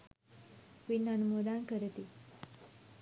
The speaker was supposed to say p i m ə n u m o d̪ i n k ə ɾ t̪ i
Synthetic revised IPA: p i n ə n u m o d̪ a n k ə ɾ t̪ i